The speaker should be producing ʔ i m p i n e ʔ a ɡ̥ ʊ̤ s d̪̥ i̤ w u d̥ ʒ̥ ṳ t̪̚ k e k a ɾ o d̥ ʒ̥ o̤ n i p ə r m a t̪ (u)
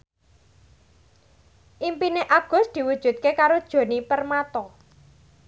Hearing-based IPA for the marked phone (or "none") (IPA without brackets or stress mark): ɔ